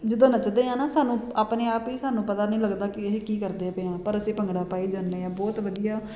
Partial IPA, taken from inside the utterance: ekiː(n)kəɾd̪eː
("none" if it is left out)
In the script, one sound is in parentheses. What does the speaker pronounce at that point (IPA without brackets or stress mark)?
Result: none